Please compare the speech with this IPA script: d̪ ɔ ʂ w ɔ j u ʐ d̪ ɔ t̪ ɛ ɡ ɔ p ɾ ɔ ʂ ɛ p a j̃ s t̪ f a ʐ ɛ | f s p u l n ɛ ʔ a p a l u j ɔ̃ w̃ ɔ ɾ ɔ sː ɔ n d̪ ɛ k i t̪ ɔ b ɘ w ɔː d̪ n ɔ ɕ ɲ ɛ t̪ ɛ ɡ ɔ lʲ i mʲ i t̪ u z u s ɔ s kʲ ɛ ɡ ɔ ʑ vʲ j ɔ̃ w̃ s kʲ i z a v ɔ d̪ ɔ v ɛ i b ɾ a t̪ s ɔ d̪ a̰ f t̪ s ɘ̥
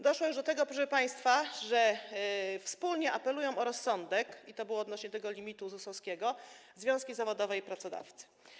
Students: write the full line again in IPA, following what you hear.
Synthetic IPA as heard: d̪ ɔ ʂ w ɔ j u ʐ d̪ ɔ t̪ ɛ ɡ ɔ p ɾ ɔ ʂ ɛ p a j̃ s t̪ f a ʐ ɛ | f s p u l ɲ ɛ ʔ a p ɛ l u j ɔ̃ w̃ ɔ ɾ ɔ sː ɔ n d̪ ɛ k i t̪ ɔ b ɘ w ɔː d̪ n ɔ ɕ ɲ ɛ t̪ ɛ ɡ ɔ lʲ i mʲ i t̪ u z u s ɔ s kʲ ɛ ɡ ɔ z vʲ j ɔ̃ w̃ s kʲ i z a v ɔ d̪ ɔ v ɛ i p ɾ a t̪ s ɔ d̪ a̰ f t̪ s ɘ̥